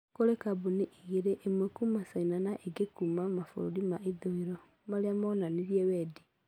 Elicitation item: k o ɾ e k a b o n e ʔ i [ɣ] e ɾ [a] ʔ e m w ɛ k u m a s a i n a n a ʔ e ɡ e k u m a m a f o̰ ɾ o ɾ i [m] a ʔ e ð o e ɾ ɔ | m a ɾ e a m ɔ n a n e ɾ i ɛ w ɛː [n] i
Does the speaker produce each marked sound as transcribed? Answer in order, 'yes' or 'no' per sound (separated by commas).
yes, no, yes, no